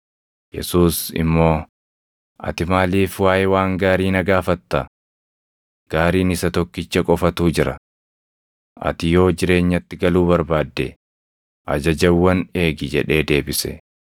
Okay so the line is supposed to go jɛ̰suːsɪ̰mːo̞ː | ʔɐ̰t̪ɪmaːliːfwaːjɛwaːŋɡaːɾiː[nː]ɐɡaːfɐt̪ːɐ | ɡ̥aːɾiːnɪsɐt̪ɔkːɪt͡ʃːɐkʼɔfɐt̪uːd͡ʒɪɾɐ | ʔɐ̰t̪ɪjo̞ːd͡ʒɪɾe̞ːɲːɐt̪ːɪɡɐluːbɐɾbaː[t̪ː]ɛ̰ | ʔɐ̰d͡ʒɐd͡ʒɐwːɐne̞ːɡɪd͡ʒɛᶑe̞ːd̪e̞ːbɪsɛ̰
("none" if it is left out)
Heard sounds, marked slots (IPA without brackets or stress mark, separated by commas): n, d̪ː